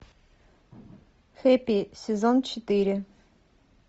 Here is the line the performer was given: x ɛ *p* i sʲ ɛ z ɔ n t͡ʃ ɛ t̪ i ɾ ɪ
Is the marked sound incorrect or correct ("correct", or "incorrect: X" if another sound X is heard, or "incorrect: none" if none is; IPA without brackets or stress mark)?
correct